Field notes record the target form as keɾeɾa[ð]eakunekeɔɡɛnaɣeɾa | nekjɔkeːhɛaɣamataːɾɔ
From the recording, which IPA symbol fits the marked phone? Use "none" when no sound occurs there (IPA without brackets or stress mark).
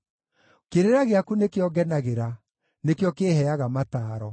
ɣ